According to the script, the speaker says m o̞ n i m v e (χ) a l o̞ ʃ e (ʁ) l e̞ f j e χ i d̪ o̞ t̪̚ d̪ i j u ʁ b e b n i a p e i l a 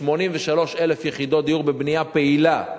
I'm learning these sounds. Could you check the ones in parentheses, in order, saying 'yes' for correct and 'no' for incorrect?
no, no

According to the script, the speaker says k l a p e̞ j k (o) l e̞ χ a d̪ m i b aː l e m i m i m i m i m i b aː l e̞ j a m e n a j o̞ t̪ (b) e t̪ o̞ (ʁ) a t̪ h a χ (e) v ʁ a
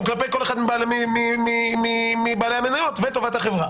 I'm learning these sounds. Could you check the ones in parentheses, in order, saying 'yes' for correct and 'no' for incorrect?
yes, no, no, yes

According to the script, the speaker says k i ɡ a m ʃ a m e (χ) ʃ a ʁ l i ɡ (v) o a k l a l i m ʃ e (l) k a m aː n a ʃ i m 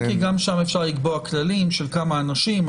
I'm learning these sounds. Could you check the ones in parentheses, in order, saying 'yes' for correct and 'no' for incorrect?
no, no, yes

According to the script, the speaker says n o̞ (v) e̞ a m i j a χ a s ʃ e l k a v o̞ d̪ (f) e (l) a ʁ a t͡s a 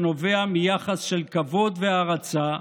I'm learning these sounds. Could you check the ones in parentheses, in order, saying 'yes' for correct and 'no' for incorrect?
yes, no, no

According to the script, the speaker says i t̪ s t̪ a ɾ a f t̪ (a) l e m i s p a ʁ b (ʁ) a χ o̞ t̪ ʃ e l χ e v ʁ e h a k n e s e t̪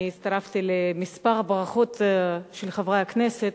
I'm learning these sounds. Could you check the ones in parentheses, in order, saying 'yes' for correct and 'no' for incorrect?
no, yes

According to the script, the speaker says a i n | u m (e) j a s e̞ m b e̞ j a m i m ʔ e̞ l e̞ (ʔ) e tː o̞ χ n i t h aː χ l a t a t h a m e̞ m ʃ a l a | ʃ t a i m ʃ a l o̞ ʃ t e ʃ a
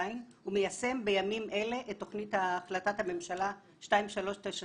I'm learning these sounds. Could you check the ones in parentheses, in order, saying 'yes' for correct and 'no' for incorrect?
yes, yes

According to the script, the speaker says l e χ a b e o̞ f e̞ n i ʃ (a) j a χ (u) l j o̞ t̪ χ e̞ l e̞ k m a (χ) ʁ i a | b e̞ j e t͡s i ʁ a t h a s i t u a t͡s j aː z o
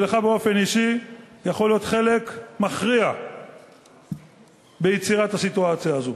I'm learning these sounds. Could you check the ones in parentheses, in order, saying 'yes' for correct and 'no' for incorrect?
no, no, yes

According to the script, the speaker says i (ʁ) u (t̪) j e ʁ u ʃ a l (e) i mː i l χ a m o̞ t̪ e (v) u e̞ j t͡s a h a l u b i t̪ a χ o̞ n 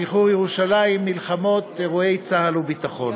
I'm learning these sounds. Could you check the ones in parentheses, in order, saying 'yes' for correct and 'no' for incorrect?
no, no, no, no

